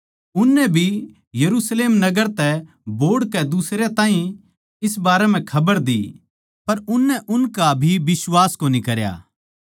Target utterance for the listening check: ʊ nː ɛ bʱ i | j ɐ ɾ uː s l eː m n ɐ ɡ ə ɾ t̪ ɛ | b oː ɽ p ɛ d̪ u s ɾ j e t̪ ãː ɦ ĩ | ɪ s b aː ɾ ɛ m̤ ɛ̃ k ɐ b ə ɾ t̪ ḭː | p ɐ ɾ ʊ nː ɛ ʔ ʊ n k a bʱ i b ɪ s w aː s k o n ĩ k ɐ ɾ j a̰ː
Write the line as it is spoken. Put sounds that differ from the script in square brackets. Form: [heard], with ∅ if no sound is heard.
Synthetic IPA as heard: ʊ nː ɛ bʱ i | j ɐ ɾ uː s l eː m n ɐ ɡ ə ɾ t̪ ɛ | b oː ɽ [k] ɛ d̪ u s ɾ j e t̪ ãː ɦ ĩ | ɪ s b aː ɾ ɛ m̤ ɛ̃ [kʰ] ɐ b ə ɾ [d̪] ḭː | p ɐ ɾ ʊ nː ɛ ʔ ʊ n k a bʱ i b ɪ s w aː s k o n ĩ k ɐ ɾ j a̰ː